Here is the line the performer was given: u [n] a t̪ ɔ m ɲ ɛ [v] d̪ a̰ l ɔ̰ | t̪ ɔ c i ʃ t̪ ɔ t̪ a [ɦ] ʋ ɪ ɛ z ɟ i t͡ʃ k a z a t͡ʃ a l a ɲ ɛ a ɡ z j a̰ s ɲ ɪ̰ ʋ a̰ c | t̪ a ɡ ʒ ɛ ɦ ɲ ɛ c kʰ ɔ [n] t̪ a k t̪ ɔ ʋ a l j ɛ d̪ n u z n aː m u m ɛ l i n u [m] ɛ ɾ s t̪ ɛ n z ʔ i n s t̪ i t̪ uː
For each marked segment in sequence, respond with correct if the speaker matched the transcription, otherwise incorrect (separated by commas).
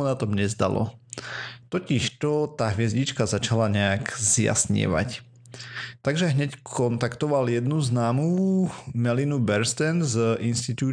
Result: correct, incorrect, correct, correct, incorrect